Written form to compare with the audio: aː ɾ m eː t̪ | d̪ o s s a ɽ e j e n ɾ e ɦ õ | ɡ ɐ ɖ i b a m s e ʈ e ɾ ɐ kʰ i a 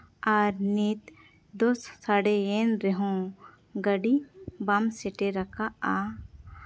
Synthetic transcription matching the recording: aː ɾ n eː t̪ | d̪ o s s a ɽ e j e n ɾ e ɦ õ | ɡ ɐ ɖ i b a m s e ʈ e ɾ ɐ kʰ a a